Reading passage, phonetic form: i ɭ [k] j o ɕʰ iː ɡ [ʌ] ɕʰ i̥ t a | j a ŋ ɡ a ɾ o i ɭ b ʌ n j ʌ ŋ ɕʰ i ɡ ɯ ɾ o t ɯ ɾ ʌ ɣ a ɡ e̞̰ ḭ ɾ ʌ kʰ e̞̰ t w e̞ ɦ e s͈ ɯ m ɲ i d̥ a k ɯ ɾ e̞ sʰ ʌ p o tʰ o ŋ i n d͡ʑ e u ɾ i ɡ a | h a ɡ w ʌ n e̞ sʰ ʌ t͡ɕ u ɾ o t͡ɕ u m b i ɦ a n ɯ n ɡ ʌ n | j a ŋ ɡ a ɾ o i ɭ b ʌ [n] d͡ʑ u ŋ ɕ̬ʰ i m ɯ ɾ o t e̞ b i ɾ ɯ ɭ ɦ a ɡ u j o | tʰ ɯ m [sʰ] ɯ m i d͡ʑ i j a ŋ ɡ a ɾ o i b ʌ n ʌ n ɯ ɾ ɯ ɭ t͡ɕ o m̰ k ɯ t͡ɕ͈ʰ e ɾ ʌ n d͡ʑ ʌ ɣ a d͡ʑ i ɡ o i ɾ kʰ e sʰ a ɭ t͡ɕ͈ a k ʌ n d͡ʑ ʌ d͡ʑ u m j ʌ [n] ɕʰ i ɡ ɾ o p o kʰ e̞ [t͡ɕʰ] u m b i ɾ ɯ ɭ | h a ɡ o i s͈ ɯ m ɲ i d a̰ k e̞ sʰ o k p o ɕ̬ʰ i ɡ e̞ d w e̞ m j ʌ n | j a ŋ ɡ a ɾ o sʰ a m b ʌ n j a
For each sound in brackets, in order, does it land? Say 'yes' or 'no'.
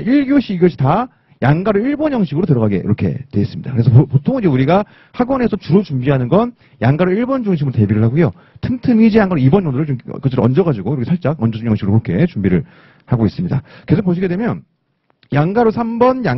no, yes, yes, no, no, no

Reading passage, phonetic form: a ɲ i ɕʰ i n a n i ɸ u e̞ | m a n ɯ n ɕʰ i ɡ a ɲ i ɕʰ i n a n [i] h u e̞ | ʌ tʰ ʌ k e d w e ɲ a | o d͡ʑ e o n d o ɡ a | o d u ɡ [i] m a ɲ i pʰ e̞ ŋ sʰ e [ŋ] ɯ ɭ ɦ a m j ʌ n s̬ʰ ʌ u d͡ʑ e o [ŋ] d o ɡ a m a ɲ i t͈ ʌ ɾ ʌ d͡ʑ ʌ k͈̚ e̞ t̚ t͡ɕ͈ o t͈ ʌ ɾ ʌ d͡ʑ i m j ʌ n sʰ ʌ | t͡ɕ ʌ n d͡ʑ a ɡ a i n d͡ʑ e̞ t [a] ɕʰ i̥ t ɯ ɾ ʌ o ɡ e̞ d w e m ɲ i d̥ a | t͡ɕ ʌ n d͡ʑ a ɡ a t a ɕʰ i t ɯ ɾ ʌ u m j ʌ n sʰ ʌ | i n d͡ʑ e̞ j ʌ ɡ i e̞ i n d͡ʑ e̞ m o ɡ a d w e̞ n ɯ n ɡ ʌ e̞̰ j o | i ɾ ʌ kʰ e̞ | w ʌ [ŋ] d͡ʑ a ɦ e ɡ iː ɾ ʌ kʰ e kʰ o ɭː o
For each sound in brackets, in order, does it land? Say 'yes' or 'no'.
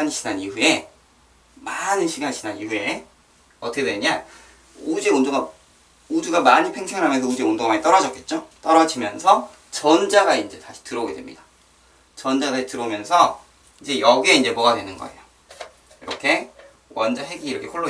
yes, no, yes, no, yes, no

